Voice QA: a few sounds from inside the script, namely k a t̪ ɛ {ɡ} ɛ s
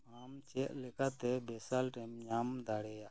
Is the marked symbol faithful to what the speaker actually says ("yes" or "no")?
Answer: no